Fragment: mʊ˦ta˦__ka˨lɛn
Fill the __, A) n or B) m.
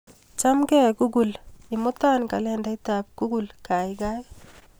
A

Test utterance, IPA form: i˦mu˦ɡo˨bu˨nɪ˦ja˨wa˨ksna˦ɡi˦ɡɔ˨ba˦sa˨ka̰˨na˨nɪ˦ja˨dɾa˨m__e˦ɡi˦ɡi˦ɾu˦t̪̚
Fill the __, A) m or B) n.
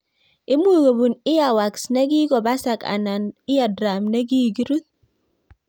B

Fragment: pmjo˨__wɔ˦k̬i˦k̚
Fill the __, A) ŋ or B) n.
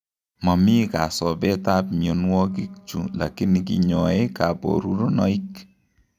B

